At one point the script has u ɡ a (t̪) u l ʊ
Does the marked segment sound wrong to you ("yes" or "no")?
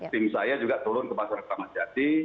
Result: no